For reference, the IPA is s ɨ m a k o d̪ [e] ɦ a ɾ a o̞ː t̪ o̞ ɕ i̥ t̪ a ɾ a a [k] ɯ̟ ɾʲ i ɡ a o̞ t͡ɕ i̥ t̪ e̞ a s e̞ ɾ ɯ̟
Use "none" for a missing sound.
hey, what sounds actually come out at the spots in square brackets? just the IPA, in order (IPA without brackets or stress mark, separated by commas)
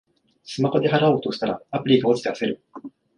e, p